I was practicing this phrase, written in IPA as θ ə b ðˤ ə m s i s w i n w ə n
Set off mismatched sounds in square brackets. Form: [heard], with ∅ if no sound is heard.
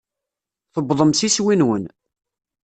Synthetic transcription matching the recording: θ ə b ðˤ ə m s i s w i n w ə n